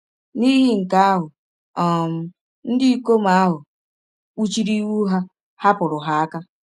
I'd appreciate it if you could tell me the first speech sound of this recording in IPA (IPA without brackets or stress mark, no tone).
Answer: n